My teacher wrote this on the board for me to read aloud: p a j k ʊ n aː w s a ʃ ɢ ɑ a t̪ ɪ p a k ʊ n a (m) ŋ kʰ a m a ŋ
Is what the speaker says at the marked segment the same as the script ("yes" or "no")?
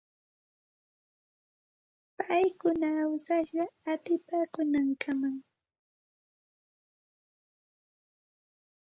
no